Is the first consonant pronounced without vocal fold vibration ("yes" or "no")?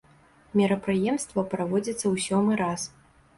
no